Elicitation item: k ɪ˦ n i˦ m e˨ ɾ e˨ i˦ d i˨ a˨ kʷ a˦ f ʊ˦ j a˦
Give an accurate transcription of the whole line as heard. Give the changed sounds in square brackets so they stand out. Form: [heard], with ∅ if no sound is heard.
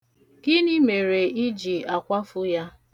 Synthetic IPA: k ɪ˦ n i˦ m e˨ ɾ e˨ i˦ [d͡ʒ] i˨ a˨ kʷ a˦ f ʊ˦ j a˦